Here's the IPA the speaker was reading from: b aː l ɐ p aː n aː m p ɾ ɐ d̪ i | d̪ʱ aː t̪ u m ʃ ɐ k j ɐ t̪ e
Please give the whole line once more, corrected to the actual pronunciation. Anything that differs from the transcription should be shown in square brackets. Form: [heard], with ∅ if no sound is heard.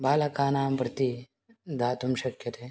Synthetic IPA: b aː l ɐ [k] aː n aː m p ɾ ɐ [t̪] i | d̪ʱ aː t̪ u m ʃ ɐ k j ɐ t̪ e